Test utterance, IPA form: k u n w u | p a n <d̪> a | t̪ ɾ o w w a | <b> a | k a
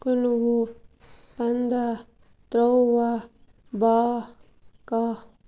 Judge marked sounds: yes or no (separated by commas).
yes, yes